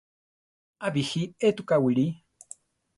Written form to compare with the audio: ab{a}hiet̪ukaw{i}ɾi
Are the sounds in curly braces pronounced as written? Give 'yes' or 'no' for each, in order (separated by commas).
no, yes